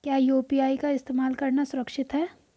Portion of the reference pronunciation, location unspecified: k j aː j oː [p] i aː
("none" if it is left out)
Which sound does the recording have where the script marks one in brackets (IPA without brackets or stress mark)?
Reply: p